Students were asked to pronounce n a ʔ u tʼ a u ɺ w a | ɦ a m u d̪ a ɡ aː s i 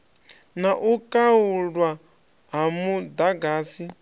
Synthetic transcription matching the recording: n a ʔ u kʼ a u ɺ w a | ɦ a m u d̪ a ɡ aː s i